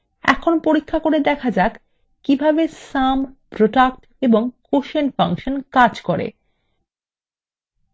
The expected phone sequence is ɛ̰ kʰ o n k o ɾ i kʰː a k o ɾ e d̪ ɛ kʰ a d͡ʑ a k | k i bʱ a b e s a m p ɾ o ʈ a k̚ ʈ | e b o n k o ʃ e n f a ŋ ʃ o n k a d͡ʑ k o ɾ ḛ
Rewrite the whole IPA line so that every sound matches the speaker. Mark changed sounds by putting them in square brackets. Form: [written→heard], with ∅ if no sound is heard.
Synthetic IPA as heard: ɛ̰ kʰ o n [k→p] o ɾ i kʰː a k o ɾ e d̪ ɛ kʰ a d͡ʑ a k | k i bʱ a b e s a m p ɾ o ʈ a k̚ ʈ | e b o [n→ŋ] k o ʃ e n f a ŋ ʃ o n k a d͡ʑ k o ɾ ḛ